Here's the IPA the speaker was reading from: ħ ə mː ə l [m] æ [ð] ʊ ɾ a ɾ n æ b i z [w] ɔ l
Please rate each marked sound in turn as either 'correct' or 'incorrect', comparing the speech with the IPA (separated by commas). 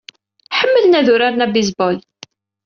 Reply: incorrect, correct, incorrect